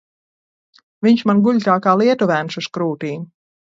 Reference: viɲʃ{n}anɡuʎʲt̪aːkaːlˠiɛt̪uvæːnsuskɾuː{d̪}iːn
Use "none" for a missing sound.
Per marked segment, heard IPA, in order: m, t̪

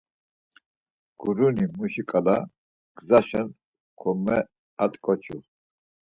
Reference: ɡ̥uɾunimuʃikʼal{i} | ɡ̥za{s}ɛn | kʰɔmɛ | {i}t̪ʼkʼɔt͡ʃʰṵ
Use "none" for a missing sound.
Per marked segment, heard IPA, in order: a, ʃ, a

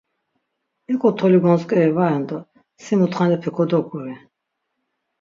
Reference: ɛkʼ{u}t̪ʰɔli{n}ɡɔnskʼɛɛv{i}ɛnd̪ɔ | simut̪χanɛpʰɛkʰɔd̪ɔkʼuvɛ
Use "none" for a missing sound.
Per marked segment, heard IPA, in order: ɔ, none, a

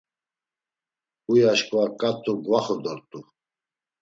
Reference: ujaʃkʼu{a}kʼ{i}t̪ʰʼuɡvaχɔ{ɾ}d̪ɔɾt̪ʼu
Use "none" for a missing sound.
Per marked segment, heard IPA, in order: a, a, none

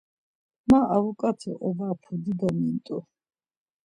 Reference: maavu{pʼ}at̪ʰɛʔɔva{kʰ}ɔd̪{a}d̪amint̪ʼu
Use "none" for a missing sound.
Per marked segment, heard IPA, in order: kʼ, pʰ, i

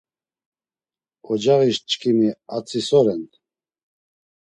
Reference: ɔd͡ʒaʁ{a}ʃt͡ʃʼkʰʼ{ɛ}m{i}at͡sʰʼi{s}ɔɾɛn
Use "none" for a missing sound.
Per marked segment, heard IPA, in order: i, i, i, s

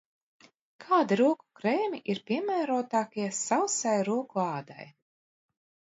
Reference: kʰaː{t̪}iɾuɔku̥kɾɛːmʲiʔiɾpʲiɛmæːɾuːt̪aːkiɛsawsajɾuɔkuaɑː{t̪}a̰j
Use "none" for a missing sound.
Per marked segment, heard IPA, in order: d̪, d̪

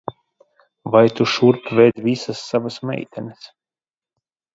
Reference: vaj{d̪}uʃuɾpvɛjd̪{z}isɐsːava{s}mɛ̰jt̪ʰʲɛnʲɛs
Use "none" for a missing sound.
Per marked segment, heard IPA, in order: t̪, v, s

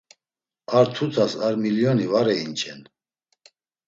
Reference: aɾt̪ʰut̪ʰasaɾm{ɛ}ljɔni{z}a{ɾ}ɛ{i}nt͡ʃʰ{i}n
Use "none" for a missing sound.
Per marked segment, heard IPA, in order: i, v, ɾ, i, ɛ

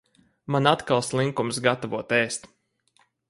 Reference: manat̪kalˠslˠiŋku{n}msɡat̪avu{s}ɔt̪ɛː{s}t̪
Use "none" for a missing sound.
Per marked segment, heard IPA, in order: none, none, s

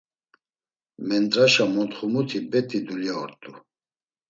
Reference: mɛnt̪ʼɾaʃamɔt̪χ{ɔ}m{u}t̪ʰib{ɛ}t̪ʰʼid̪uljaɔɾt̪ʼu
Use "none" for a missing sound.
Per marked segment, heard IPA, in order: u, u, ɛ

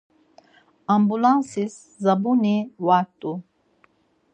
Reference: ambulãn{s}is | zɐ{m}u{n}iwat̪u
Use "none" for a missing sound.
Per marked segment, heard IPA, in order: s, b, n

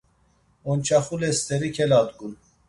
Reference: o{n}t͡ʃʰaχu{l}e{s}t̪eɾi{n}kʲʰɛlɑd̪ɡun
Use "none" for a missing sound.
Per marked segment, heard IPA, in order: n, l, s, none

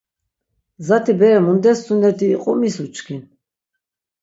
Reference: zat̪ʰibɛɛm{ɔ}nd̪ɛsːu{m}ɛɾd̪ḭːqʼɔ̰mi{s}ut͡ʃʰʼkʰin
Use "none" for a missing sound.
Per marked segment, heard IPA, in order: u, n, s

